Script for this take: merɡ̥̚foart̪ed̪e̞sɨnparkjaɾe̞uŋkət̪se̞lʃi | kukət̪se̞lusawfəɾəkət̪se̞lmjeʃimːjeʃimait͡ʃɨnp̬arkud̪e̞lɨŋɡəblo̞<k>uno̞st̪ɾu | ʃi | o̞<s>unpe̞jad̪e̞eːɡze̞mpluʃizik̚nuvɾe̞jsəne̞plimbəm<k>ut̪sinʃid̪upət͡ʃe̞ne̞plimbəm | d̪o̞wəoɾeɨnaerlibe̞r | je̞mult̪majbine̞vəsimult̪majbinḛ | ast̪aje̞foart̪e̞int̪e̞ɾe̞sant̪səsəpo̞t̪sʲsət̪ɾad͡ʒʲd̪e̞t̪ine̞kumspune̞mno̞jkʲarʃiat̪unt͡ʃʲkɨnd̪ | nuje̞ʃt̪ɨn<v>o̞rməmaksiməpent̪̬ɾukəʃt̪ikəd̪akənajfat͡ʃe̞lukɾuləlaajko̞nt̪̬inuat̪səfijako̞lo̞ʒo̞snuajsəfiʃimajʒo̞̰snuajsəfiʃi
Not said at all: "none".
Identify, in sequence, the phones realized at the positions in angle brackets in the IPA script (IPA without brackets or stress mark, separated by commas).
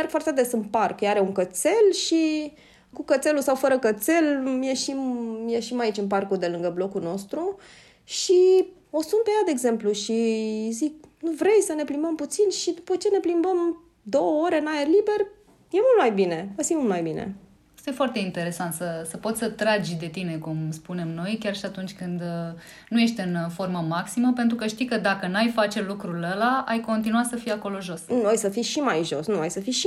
k, s, p, f